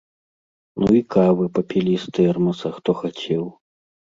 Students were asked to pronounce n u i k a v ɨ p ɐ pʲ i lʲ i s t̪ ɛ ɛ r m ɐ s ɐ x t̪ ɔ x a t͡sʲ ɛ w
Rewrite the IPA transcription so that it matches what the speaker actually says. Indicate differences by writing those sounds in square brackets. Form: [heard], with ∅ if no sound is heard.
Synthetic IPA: n u i k a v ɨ p ɐ pʲ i lʲ i s t̪ ɛ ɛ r m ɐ s ɐ x t̪ ɔ x a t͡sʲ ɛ w